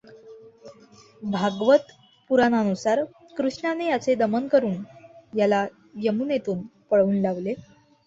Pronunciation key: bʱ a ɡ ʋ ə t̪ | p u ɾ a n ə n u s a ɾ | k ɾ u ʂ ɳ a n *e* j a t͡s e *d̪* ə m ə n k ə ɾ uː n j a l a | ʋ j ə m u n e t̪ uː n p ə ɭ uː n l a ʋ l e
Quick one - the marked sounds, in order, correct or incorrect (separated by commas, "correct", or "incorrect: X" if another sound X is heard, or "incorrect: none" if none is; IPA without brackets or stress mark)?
correct, correct